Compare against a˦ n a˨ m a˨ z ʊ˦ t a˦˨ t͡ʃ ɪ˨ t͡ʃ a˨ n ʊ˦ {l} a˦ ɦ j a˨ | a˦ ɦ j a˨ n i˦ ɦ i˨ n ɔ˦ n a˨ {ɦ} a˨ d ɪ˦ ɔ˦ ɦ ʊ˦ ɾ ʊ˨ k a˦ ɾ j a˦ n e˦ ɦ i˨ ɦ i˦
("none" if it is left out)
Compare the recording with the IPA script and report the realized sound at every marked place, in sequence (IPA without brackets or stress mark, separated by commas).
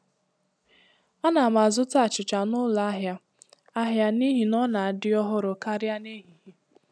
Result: l, none